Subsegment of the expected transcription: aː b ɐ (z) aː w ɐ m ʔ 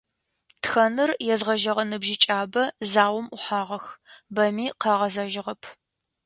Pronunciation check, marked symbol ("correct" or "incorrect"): correct